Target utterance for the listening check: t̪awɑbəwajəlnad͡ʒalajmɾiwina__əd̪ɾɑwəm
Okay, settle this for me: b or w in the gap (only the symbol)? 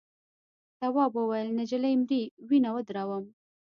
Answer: w